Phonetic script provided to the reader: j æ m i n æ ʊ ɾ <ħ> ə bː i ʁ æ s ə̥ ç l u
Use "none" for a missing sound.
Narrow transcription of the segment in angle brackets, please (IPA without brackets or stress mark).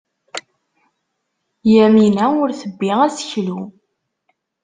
θ